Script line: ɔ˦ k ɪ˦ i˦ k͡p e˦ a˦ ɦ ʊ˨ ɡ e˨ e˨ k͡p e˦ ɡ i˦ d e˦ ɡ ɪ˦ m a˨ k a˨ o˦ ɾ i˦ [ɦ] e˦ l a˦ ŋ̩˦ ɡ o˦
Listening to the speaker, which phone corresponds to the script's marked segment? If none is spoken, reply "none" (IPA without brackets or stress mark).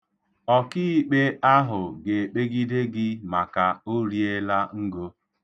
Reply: none